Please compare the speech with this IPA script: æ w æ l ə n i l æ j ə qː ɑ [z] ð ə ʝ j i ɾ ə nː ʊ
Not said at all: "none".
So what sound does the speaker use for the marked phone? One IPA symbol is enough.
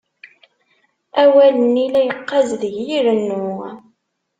z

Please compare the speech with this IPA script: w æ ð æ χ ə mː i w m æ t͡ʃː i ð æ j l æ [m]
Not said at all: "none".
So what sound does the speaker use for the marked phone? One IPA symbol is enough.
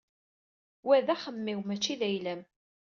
m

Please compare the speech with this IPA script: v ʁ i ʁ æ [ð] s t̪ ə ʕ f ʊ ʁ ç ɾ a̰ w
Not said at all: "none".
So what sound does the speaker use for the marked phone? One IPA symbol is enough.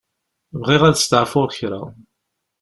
ð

